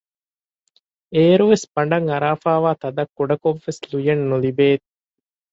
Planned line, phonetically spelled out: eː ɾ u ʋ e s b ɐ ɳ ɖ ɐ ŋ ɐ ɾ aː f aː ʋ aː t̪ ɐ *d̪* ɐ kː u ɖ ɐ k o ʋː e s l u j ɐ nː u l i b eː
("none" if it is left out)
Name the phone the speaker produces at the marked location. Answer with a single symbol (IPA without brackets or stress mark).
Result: d̪